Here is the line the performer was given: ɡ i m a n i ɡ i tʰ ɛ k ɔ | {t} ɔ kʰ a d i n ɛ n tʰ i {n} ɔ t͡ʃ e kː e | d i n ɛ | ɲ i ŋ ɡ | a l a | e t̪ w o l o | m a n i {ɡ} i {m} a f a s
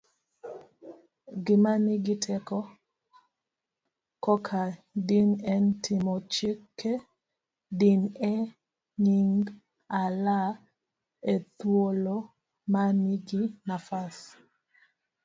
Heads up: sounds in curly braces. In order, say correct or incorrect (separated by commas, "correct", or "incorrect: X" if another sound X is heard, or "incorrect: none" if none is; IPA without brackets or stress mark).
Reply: incorrect: k, incorrect: m, correct, incorrect: n